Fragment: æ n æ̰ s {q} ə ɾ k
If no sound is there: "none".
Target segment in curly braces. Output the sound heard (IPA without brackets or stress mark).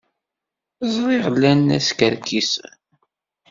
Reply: k